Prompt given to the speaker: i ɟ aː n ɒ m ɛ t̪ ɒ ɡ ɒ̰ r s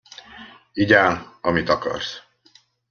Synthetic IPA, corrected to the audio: i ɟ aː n ɒ m i t̪ ɒ k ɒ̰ r s